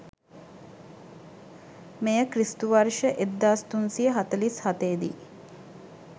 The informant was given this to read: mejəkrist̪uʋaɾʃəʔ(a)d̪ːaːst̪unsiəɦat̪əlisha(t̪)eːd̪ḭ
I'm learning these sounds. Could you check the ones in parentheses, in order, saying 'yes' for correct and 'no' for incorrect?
no, yes

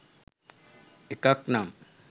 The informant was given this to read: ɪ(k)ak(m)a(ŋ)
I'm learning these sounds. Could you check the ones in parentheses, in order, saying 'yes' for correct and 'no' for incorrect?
yes, no, no

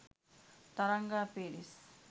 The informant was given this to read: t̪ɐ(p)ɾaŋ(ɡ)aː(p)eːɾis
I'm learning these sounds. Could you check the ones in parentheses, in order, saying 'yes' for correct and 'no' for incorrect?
no, yes, yes

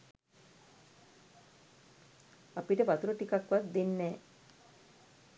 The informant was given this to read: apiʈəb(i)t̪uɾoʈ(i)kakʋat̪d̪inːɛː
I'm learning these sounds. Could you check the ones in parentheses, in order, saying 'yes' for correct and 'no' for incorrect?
no, yes

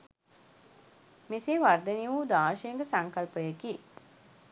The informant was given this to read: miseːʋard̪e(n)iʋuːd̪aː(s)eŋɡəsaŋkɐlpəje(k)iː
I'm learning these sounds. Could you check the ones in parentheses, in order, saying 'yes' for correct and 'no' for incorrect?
yes, no, yes

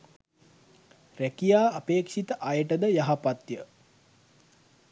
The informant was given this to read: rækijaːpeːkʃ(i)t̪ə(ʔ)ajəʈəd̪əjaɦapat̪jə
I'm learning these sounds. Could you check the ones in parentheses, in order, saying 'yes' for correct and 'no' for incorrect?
yes, yes

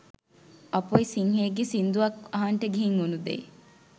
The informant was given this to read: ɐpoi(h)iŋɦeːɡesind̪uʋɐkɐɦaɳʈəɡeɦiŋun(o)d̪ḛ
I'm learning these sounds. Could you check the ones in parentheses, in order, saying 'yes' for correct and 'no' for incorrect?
no, no

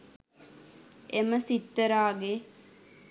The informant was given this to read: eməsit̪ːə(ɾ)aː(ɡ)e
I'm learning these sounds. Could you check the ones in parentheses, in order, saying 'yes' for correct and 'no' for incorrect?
yes, yes

